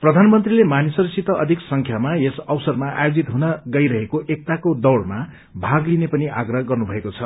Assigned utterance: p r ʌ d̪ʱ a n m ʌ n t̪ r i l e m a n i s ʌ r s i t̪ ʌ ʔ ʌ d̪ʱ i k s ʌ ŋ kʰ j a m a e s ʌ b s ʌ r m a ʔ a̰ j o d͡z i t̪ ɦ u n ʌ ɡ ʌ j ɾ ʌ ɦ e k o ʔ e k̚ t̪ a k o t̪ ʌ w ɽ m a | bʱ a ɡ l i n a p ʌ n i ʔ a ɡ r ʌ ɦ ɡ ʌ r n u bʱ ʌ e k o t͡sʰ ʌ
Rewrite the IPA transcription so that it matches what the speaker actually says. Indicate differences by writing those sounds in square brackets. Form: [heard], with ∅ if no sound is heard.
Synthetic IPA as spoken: p r ʌ d̪ʱ a n m ʌ n t̪ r i l e m a n i s ʌ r s i t̪ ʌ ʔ ʌ d̪ʱ i k s ʌ ŋ kʰ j a m a e s ʌ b s ʌ r m a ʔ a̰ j o d͡z i t̪ ɦ u n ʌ ɡ ʌ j ɾ ʌ ɦ e k o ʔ e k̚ t̪ a k o [d̪] ʌ w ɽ m a | bʱ a ɡ l i n [e] p ʌ n i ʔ a ɡ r ʌ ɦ ɡ ʌ r n u bʱ ʌ e k o t͡sʰ ʌ